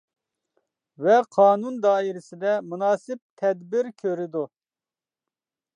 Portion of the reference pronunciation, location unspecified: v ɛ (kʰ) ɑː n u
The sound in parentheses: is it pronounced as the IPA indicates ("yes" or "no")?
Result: no